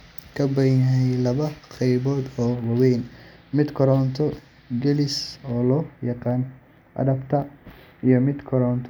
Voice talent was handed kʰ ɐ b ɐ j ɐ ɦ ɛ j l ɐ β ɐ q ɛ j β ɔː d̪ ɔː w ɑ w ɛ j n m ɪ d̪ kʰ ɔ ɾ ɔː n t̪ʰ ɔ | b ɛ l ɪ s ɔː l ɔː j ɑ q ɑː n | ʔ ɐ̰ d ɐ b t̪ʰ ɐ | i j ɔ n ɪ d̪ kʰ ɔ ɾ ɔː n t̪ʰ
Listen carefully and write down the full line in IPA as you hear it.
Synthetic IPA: kʰ ɐ b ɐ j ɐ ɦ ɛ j l ɐ β ɐ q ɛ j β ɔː d̪ ɔː w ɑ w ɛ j n m ɪ d̪ kʰ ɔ ɾ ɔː n t̪ʰ ɔ | ɡ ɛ l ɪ s ɔː l ɔː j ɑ q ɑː n | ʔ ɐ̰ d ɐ b t̪ʰ ɐ | i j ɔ m ɪ d̪ kʰ ɔ ɾ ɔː n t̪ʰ